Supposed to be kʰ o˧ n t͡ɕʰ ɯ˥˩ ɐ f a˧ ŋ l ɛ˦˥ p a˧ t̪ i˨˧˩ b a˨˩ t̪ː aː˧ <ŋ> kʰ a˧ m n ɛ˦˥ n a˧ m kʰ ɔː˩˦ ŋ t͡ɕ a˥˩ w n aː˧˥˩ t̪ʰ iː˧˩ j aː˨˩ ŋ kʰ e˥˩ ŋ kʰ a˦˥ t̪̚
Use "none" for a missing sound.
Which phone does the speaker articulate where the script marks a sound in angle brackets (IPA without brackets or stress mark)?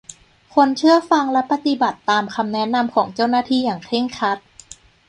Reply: m